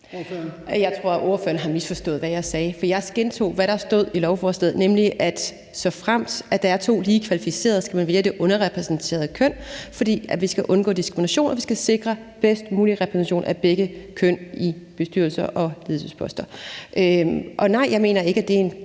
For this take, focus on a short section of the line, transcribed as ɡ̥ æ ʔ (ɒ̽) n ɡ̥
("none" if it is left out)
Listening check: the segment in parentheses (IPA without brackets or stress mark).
ɔ̽